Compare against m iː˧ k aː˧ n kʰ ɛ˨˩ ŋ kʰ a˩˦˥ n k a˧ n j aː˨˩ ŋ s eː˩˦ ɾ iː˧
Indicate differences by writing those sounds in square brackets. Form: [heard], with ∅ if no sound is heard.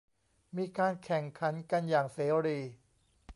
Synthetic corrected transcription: m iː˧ k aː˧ n kʰ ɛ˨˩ ŋ kʰ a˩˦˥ n k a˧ n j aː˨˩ ŋ s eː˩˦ ɾ iː˧